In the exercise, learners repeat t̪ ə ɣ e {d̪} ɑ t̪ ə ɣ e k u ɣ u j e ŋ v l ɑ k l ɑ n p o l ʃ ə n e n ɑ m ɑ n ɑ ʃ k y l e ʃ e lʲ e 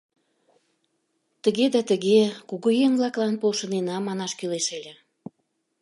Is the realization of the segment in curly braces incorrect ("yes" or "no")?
no